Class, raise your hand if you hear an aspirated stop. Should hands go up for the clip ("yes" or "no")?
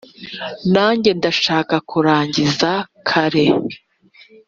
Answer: yes